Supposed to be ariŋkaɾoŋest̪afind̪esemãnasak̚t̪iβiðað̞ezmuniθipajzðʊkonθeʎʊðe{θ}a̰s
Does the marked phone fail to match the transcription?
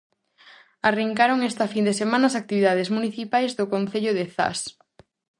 no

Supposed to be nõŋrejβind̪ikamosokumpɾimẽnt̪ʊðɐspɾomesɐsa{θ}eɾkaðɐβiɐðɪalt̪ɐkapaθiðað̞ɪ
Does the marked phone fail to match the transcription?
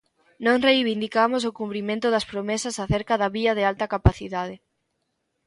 no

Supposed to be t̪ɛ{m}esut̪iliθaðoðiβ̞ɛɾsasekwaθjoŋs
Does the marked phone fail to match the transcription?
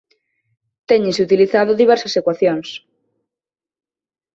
yes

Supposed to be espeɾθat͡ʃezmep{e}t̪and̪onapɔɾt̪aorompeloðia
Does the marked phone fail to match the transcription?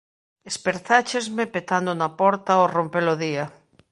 no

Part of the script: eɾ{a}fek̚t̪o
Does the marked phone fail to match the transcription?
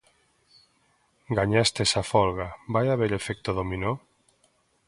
yes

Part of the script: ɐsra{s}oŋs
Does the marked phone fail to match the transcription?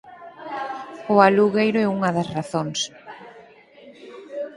yes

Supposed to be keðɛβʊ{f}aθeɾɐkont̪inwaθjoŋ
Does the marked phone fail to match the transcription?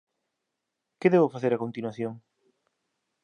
no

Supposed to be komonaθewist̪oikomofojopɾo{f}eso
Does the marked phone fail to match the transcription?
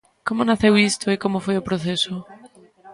yes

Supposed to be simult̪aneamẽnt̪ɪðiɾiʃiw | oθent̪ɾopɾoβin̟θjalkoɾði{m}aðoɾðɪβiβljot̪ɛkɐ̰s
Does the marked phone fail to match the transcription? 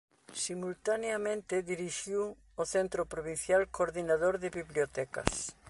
yes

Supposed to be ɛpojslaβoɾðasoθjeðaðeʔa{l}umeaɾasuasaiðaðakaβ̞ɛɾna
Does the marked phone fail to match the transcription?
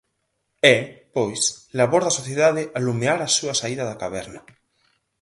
no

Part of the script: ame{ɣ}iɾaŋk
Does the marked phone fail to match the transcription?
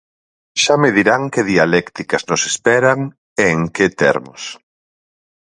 yes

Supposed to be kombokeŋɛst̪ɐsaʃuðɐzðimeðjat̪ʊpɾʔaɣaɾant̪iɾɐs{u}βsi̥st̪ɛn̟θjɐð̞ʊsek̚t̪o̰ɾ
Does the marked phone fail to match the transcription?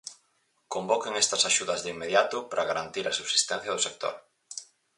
no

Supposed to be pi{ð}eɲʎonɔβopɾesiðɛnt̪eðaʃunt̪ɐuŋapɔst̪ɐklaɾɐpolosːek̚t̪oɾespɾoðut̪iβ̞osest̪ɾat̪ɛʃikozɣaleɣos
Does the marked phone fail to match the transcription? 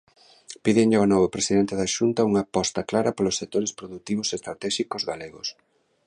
no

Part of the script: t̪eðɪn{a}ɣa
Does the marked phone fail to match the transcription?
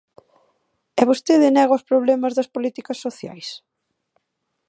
yes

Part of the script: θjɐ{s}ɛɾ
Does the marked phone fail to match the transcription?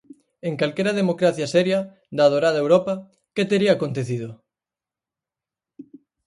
no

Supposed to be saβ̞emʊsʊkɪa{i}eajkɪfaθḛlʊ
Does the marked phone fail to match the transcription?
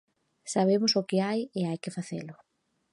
yes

